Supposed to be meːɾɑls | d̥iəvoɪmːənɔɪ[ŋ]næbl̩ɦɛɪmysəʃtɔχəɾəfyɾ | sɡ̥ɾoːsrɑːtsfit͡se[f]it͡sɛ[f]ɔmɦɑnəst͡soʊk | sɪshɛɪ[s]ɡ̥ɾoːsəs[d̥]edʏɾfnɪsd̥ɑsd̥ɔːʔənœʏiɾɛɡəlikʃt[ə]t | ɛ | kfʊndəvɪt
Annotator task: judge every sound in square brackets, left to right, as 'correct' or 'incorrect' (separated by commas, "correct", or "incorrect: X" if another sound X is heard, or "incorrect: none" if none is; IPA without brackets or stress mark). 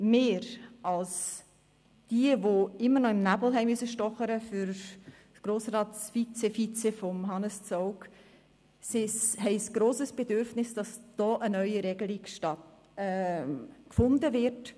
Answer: incorrect: m, correct, correct, correct, incorrect: b̥, incorrect: ɑ